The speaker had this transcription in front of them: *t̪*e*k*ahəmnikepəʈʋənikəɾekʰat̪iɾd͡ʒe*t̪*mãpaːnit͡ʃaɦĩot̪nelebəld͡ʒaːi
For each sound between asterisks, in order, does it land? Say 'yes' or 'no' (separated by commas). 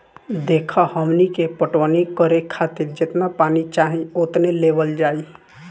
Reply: no, no, yes